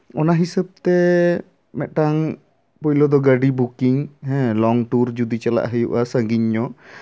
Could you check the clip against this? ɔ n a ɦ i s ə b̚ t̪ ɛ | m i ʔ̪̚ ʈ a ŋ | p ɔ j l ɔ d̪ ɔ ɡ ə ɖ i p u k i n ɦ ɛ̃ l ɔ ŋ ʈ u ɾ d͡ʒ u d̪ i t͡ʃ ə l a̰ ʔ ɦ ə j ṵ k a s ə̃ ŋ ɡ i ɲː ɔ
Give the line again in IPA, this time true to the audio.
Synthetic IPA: ɔ n a ɦ i s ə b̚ t̪ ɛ | m ɛ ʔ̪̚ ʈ a ŋ | p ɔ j l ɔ d̪ ɔ ɡ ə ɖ i b u k i ŋ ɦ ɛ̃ l ɔ ŋ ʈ u ɾ d͡ʒ u d̪ i t͡ʃ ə l a̰ ʔ ɦ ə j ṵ ʔ a s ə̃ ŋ ɡ i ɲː ɔ